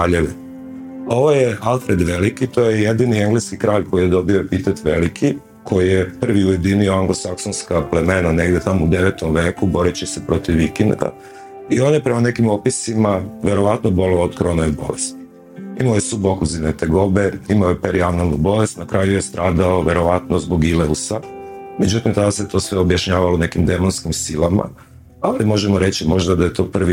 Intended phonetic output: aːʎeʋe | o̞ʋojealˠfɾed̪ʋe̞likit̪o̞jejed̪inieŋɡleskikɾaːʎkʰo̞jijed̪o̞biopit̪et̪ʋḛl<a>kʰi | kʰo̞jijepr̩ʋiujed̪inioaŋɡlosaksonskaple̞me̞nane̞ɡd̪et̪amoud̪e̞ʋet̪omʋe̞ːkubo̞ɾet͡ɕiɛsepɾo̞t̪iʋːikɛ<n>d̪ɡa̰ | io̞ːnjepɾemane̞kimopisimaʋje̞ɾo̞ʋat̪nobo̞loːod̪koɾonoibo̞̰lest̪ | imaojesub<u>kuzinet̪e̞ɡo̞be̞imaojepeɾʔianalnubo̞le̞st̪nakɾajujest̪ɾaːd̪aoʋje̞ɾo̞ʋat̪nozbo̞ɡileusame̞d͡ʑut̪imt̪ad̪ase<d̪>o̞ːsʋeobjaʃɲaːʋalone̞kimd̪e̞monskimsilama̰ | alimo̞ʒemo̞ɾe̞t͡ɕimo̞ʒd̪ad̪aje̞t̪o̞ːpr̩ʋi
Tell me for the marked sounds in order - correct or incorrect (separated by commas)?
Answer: incorrect, correct, incorrect, incorrect